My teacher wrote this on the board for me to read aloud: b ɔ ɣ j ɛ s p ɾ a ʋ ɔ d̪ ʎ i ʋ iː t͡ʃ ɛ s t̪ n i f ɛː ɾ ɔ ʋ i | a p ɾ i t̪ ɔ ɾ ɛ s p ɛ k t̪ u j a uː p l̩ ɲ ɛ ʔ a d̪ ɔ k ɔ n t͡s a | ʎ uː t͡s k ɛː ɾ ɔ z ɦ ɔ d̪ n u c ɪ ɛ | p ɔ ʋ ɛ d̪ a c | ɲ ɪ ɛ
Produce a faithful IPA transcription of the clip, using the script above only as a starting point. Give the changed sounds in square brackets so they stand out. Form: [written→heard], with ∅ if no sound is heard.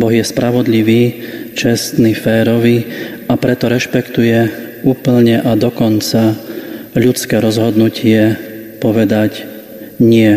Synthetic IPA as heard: b ɔ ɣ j ɛ s p ɾ a ʋ ɔ d̪ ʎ i ʋ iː t͡ʃ ɛ s t̪ n i f ɛː ɾ ɔ ʋ i | a p ɾ [i→ɛ] t̪ ɔ ɾ ɛ [s→ʃ] p ɛ k t̪ u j [a→ɛ] uː p l̩ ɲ ɛ ʔ a d̪ ɔ k ɔ n t͡s a | ʎ [uː→u] t͡s k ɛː ɾ ɔ z ɦ ɔ d̪ n u c ɪ ɛ | p ɔ ʋ ɛ d̪ a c | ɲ ɪ ɛ